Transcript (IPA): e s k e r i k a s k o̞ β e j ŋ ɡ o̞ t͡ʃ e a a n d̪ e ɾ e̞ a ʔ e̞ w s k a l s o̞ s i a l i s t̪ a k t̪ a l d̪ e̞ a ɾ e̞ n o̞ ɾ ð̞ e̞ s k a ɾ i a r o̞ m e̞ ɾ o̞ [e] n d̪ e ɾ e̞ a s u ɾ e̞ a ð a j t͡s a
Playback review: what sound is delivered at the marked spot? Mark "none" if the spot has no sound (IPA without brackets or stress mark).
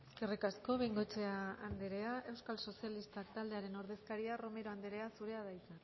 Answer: a